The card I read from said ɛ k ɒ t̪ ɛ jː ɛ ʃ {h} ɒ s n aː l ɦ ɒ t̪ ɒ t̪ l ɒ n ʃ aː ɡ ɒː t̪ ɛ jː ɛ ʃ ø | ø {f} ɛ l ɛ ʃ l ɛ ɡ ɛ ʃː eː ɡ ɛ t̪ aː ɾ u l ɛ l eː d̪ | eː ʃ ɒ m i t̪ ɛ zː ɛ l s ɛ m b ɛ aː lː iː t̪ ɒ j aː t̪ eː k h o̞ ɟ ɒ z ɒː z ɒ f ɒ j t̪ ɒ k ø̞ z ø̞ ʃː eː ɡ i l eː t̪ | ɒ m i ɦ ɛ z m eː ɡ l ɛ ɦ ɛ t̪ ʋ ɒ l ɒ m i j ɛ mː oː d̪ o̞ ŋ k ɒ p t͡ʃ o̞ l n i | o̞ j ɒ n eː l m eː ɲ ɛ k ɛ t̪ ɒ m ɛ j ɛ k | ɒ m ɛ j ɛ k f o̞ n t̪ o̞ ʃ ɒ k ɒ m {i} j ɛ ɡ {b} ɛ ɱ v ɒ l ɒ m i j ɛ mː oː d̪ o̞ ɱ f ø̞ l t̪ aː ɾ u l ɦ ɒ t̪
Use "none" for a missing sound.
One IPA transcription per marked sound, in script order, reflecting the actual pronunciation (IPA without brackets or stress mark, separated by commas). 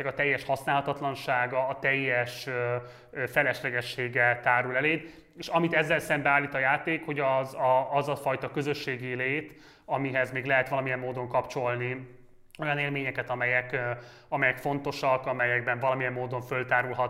h, f, ɛ, b